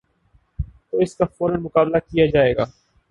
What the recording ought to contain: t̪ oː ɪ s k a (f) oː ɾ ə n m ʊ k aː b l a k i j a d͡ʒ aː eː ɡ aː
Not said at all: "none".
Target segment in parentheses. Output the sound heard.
f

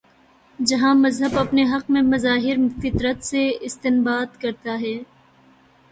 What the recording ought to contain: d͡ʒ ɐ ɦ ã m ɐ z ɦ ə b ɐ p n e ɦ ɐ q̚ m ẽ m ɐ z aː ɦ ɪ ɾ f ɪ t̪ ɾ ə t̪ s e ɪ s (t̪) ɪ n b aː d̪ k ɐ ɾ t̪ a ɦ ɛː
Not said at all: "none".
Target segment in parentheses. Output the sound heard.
t̪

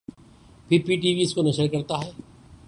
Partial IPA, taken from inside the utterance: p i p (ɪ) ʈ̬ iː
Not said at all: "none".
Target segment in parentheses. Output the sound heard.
i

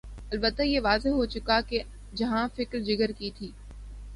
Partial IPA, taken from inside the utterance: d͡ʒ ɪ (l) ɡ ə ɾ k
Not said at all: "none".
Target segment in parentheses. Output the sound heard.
none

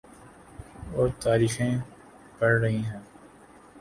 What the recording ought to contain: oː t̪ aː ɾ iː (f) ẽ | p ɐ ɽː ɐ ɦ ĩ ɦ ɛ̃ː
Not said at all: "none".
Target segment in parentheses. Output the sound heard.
x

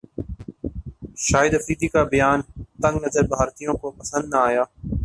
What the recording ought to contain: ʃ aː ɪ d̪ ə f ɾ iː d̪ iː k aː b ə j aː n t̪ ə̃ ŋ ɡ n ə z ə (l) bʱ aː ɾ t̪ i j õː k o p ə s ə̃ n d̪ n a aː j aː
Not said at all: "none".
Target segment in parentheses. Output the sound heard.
ɾ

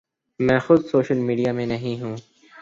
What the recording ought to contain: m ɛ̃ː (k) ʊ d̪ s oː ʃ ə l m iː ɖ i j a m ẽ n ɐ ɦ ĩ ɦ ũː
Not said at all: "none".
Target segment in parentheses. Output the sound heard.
x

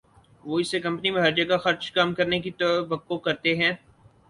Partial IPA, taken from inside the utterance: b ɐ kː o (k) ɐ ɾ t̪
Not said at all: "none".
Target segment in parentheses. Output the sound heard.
k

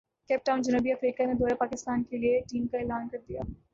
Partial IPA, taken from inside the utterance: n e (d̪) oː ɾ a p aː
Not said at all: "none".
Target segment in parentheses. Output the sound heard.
d̪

